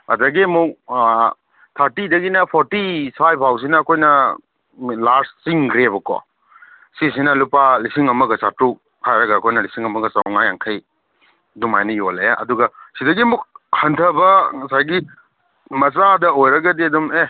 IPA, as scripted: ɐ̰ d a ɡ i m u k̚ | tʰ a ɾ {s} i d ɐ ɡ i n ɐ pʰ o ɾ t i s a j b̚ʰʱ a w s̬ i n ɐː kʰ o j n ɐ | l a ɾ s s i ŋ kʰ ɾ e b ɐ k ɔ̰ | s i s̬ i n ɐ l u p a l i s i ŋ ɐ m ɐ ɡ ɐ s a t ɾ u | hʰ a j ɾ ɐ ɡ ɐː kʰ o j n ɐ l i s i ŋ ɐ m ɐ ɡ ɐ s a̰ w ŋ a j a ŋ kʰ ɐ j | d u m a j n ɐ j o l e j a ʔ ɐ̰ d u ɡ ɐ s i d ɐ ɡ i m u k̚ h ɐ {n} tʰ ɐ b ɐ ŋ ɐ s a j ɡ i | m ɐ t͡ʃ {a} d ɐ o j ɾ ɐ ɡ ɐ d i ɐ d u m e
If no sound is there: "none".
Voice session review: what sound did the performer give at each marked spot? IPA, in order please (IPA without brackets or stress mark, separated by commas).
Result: t, n, a